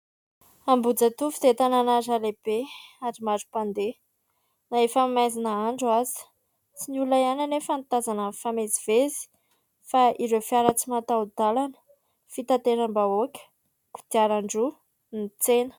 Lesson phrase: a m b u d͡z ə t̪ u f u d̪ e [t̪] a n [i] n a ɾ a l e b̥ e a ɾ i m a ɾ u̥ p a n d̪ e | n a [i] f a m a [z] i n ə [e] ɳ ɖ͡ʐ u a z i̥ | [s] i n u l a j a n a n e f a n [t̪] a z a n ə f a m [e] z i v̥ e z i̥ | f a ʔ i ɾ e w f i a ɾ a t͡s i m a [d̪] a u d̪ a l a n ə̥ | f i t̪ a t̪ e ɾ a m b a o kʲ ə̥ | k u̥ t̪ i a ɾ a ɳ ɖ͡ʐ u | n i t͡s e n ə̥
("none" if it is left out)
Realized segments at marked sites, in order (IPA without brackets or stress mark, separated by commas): t̪, a, e, z, a, t͡s, t̪, e, t̪